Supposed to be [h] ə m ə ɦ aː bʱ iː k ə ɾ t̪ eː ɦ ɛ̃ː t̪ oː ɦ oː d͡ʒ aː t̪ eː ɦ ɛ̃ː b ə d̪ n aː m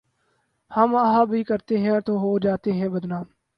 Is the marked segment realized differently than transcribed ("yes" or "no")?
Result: no